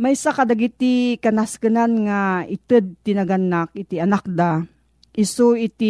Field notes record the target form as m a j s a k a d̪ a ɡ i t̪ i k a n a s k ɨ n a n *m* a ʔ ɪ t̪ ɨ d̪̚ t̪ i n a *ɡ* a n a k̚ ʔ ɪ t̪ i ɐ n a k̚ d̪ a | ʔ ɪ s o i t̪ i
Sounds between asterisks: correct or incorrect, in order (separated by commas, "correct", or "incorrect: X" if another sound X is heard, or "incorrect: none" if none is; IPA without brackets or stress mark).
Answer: incorrect: ŋ, correct